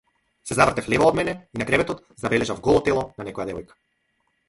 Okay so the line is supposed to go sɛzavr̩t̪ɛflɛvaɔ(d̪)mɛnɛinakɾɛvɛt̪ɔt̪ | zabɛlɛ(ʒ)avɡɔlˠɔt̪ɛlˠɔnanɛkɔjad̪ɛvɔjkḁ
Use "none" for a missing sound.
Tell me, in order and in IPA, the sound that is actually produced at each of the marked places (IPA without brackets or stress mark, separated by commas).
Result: d̪, ʒ